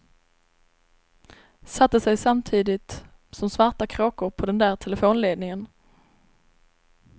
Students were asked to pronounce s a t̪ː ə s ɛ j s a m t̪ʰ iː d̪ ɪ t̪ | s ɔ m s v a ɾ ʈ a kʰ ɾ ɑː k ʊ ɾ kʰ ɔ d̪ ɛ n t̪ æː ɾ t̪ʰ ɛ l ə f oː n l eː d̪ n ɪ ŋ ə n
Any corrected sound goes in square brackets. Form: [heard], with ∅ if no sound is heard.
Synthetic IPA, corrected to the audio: s a t̪ː ə s ɛ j s a m t̪ʰ iː d̪ ɪ t̪ | s ɔ m s v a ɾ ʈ a kʰ ɾ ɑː k ʊ ɾ [pʰ] ɔ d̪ ɛ n [d̪] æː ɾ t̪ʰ ɛ l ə f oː n l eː d̪ n ɪ ŋ ə n